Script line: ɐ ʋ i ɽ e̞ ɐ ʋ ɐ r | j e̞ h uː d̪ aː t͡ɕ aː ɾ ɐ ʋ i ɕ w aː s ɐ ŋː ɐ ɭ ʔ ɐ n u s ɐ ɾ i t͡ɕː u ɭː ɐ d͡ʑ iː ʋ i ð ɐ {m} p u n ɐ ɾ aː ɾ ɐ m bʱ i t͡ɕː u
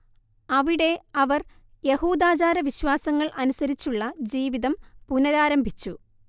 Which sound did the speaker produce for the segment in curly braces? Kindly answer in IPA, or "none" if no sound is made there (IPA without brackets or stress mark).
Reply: m